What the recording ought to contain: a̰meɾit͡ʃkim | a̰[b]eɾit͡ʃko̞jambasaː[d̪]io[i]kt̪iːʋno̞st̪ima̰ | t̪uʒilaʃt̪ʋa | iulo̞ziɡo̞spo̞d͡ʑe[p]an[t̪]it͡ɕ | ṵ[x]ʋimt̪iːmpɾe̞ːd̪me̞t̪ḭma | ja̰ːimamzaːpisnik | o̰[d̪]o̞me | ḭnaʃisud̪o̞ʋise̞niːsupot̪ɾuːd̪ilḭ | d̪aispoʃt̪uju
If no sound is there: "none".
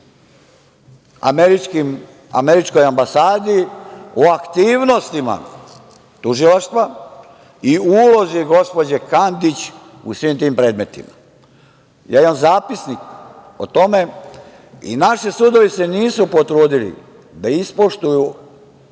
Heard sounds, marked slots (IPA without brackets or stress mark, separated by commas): m, d̪, a, k, d̪, s, t̪